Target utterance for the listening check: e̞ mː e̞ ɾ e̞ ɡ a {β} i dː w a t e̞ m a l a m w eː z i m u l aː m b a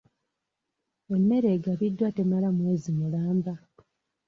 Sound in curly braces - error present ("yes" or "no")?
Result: no